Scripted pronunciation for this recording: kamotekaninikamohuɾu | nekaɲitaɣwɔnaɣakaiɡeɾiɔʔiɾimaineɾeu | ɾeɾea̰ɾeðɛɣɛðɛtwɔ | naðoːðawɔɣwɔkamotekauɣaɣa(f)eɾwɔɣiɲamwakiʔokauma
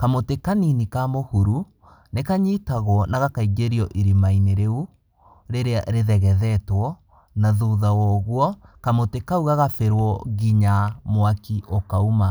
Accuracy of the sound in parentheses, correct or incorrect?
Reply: correct